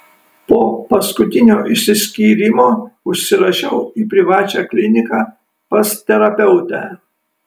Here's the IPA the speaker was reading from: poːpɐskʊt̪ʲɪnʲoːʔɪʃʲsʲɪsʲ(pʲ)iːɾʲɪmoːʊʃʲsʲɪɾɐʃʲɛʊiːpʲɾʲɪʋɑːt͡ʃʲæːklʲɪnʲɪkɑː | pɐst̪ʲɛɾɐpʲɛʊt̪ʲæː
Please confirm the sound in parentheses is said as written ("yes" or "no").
no